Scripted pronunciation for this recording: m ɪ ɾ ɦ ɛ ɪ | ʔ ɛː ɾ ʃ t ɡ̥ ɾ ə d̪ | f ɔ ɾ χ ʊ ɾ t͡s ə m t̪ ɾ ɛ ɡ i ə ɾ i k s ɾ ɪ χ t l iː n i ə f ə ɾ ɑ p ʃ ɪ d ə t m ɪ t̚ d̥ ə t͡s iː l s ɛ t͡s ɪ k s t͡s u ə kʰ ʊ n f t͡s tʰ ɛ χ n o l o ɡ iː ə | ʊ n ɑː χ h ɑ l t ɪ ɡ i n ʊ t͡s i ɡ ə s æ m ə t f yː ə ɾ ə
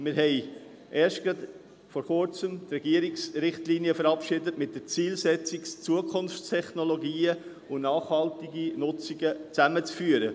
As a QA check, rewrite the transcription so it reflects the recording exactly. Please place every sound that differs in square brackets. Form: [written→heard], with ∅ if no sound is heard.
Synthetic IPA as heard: m ɪ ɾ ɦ ɛ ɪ | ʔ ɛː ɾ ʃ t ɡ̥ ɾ [ə→ɑ] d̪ | f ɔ ɾ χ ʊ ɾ t͡s ə m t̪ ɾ ɛ ɡ i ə ɾ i k s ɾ ɪ χ t l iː n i ə f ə ɾ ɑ p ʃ ɪ d ə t m ɪ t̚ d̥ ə t͡s iː l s ɛ t͡s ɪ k s t͡s u ə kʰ ʊ n f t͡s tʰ ɛ χ n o l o ɡ iː ə | ʊ n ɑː χ h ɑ l t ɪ ɡ i n ʊ t͡s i ɡ ə [s→t͡s] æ m ə [t→t͡s] f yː ə ɾ ə